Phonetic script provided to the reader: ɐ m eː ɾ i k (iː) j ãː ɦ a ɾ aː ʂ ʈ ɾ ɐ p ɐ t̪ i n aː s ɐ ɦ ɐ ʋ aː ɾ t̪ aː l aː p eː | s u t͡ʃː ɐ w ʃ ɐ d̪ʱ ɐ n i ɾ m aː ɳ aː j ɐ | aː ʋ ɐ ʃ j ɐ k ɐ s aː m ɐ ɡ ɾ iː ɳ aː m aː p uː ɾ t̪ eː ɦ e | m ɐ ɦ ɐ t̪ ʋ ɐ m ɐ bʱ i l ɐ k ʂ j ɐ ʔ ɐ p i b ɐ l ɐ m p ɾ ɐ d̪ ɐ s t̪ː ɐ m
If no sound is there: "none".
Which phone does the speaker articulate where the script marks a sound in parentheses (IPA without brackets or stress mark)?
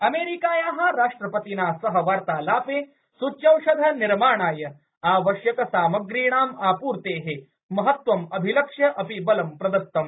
aː